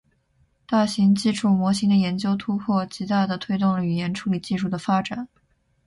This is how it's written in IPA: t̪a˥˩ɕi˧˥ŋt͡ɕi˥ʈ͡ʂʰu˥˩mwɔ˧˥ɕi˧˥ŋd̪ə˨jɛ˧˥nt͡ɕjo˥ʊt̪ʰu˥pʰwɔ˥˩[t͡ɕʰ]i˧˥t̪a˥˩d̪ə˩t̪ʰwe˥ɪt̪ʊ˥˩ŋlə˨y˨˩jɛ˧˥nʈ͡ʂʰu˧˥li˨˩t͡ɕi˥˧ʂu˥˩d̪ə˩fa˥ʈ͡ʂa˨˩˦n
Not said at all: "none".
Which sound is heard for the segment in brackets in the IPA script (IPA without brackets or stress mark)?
t͡ɕ